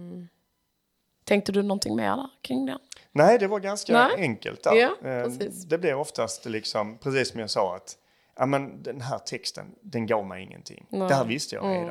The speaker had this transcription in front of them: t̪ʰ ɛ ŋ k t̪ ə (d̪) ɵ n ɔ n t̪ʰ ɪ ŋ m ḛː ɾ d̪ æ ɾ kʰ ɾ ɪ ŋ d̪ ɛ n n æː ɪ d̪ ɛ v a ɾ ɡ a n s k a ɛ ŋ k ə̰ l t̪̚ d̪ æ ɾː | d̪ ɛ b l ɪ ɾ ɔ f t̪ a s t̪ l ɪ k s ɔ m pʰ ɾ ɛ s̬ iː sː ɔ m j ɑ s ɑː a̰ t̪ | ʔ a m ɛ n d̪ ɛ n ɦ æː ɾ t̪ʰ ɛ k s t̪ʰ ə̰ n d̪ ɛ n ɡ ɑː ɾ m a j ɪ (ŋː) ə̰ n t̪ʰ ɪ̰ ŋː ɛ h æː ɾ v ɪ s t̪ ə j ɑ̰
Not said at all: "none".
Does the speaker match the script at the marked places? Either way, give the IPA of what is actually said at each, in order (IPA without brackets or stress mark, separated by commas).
d̪, ŋː